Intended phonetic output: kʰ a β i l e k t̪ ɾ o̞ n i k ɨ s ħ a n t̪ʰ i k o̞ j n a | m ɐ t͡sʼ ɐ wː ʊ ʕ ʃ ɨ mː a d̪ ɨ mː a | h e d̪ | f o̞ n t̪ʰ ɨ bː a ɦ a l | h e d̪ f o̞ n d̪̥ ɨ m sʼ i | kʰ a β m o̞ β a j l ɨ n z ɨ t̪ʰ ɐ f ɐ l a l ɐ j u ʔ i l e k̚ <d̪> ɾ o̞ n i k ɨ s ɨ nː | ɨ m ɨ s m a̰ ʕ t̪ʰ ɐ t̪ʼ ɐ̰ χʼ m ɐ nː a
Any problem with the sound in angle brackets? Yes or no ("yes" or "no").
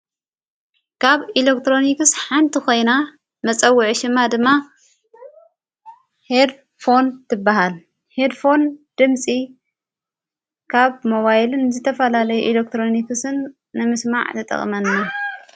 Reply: yes